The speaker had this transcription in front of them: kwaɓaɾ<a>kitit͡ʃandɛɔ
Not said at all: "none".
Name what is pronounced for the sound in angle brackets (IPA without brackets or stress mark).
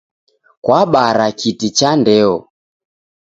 a